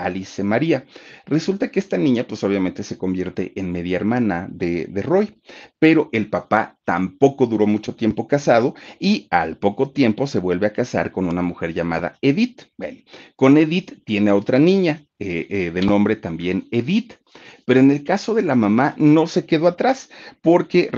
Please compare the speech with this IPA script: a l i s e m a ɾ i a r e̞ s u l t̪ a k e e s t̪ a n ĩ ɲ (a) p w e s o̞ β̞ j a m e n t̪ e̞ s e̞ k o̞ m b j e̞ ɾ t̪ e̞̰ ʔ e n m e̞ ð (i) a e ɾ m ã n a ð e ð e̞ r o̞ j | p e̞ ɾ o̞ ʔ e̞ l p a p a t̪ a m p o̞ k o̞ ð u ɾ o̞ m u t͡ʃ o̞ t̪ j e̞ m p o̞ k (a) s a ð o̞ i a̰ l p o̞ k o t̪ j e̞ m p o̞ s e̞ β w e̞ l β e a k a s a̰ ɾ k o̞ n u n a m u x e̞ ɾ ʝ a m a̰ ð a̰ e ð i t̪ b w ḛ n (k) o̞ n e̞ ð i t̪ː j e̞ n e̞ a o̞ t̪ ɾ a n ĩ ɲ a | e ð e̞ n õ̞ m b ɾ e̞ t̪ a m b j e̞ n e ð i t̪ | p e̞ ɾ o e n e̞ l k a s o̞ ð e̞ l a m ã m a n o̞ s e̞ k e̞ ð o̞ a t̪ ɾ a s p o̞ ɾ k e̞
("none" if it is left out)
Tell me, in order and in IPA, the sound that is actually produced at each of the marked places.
a, j, a, k

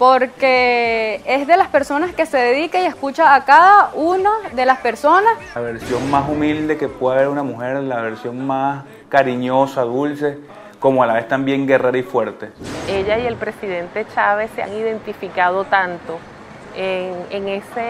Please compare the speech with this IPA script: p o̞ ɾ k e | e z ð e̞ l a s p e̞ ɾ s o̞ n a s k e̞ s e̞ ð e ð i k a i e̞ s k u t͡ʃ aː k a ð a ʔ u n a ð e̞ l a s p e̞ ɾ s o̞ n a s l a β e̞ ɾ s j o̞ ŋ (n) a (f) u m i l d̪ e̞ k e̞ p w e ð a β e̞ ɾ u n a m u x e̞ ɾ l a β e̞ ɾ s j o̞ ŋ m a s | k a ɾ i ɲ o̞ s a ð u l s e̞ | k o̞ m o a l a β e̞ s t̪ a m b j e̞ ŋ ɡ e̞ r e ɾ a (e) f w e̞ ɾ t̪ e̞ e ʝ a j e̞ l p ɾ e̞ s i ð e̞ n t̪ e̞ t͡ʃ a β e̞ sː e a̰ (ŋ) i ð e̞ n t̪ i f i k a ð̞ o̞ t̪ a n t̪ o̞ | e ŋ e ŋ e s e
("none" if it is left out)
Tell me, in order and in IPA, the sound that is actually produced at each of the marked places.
m, s, i, ŋ

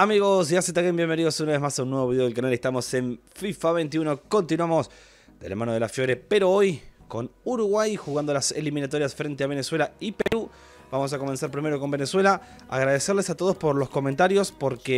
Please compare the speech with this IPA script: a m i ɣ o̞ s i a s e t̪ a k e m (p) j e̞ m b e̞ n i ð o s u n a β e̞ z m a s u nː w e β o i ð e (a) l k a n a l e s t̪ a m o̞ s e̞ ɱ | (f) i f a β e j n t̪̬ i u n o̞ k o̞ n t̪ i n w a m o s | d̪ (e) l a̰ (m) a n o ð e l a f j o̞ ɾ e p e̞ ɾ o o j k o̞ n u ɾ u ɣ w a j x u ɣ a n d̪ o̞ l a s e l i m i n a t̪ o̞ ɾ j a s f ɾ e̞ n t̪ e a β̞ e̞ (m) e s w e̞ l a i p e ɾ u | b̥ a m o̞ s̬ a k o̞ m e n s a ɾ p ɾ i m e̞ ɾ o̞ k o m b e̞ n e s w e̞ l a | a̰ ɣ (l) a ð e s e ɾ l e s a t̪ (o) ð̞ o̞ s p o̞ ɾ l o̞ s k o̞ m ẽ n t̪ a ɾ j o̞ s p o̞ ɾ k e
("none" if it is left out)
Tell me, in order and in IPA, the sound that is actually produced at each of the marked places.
b, e, f, e, m, n, ɾ, o

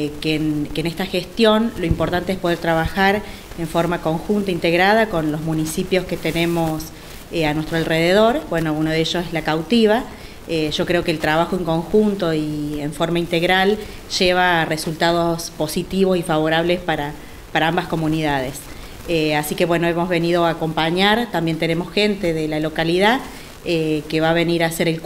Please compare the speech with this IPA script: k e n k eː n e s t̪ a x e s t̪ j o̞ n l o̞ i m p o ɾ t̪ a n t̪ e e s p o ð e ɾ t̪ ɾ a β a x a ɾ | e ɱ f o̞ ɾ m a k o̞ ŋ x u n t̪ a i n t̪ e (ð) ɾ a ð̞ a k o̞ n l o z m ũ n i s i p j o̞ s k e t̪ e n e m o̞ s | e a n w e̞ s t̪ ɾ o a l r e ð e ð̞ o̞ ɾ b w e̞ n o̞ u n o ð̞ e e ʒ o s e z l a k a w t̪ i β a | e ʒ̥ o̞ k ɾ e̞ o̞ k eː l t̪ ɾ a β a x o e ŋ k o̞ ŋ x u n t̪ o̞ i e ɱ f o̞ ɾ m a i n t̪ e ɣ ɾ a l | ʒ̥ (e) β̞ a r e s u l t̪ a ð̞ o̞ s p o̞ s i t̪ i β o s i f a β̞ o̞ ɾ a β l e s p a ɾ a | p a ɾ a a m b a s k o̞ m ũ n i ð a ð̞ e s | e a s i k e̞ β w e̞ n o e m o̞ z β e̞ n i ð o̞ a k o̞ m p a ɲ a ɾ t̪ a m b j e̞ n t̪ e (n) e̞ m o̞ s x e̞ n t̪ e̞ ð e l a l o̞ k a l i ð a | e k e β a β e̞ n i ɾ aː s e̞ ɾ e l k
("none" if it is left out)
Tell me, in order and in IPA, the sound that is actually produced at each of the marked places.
ɣ, e, n

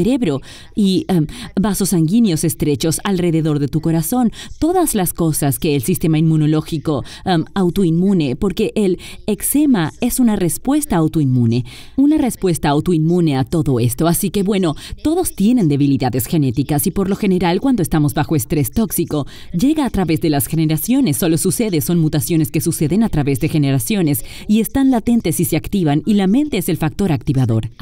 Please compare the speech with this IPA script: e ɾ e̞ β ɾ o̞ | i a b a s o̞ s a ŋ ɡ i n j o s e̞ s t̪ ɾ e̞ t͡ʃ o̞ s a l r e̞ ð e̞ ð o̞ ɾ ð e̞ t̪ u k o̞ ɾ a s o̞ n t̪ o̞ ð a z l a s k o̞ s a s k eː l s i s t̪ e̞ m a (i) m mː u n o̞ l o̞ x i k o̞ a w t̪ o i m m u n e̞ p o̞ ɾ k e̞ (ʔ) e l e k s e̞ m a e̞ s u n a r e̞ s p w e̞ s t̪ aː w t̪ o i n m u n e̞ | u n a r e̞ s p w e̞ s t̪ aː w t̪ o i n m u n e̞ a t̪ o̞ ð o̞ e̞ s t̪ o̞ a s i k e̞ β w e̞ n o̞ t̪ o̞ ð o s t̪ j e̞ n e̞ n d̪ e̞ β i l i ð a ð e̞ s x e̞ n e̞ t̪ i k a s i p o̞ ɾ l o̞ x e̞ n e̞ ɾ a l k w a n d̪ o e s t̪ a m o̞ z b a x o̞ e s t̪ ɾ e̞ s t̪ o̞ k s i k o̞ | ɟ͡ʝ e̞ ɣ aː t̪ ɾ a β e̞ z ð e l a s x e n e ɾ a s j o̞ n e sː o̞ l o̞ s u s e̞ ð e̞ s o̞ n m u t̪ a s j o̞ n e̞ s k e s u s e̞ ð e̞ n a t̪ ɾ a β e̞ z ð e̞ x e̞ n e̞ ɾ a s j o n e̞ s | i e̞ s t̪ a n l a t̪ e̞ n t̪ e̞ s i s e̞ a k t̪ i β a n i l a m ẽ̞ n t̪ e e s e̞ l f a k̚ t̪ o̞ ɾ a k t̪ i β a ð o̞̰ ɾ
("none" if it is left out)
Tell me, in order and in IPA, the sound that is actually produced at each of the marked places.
i, ʔ

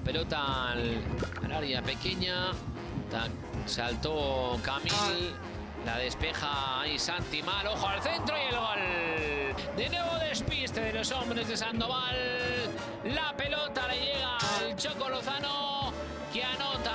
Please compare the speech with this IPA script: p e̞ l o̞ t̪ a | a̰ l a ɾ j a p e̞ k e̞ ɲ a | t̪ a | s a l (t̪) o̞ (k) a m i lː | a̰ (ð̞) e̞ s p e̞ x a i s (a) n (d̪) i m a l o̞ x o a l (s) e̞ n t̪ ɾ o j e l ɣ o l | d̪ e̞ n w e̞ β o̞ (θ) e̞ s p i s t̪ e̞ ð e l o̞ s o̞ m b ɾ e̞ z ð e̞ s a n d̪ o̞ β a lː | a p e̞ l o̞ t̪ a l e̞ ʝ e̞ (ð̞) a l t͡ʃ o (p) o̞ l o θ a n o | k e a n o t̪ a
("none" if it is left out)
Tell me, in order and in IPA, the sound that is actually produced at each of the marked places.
t̪, k, ð̞, a, t̪, θ, ð, ɣ̞, k

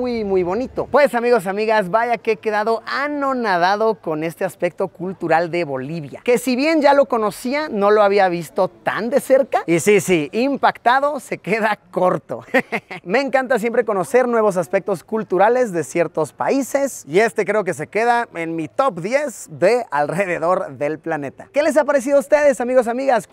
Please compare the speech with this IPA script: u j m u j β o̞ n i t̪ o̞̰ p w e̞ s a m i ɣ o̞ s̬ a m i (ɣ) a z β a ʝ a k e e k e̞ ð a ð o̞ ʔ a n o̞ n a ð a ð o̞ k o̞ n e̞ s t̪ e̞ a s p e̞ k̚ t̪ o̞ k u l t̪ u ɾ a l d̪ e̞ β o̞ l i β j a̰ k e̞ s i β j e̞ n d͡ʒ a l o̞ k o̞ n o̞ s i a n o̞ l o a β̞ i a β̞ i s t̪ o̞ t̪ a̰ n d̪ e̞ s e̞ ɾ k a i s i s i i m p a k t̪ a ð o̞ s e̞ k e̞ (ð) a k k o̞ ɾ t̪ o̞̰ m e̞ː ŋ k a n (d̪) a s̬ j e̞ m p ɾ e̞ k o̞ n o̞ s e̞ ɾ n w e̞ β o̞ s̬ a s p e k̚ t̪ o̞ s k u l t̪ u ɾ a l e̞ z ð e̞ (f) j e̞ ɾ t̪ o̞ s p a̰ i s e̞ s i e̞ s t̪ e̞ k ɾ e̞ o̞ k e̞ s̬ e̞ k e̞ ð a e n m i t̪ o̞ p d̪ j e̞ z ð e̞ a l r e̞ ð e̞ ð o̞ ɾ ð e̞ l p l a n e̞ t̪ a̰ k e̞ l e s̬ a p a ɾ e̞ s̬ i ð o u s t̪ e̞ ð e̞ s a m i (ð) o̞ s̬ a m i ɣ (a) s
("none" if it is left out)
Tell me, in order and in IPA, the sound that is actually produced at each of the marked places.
ɣ, ð, t̪, s, ɣ, a

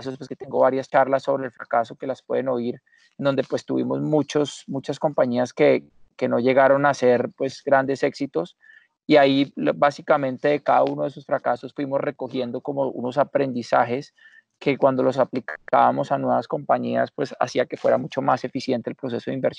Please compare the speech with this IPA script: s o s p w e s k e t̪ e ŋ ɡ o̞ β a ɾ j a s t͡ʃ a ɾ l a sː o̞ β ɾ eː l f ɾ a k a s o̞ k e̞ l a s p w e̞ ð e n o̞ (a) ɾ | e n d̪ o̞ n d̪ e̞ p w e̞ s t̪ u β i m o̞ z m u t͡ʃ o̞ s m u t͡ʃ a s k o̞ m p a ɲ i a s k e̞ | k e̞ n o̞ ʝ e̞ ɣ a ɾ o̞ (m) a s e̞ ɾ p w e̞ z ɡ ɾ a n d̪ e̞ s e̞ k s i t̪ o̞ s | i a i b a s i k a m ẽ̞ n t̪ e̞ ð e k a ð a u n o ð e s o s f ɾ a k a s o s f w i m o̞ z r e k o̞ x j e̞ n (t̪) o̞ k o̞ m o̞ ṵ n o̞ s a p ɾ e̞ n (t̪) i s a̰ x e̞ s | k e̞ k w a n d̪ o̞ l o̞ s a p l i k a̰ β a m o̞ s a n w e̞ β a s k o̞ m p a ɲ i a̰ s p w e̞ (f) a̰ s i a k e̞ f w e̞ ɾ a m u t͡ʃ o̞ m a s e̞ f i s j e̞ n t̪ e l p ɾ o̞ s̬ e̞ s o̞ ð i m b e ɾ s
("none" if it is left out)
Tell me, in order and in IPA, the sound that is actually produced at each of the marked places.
i, n, d̪, d̪, s

